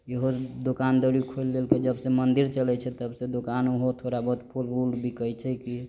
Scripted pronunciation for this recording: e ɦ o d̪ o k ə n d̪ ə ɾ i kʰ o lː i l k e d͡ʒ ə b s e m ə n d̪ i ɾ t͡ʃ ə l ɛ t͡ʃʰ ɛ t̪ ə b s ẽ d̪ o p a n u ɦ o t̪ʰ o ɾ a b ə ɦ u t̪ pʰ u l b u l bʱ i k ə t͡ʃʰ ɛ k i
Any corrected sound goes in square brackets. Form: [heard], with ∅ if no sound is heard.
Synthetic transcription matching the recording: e ɦ o d̪ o k [a] n d̪ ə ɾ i kʰ o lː [e] l k e d͡ʒ ə b s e m ə n d̪ i ɾ t͡ʃ ə l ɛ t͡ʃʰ ɛ t̪ ə b s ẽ d̪ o [k] a n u ɦ o t̪ʰ o ɾ a b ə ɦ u t̪ pʰ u l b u l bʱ i k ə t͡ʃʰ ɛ k i